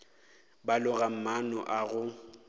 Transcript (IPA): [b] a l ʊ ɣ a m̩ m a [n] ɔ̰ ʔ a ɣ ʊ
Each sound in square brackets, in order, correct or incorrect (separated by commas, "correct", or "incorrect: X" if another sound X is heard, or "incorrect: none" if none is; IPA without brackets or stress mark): correct, correct